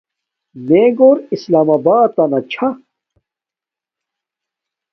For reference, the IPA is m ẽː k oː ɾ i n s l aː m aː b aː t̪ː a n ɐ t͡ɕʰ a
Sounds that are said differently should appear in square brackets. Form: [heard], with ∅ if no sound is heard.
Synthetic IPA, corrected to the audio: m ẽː [ɡ] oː ɾ i [∅] s l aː m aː b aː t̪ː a n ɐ t͡ɕʰ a